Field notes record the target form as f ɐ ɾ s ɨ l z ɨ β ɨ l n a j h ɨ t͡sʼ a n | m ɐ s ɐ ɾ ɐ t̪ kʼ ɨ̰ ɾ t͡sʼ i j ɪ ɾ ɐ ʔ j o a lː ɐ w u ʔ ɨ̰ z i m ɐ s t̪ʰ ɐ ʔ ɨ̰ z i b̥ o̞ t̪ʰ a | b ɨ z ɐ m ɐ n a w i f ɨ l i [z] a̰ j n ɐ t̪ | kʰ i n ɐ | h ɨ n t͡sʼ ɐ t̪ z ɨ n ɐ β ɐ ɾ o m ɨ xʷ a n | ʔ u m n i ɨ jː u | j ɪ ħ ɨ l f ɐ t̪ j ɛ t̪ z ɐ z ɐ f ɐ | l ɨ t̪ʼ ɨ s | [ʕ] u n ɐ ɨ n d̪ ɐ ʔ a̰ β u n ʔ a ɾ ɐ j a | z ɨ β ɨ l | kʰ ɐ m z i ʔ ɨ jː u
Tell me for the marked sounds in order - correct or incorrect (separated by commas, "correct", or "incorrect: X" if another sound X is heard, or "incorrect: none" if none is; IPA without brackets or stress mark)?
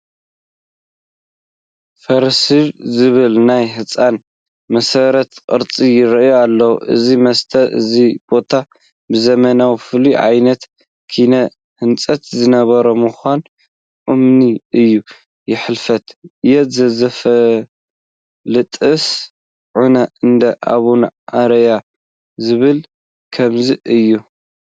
incorrect: ʕ, correct